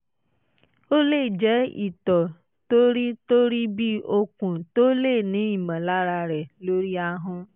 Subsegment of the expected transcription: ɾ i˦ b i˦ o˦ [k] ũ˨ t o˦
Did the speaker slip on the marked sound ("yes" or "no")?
no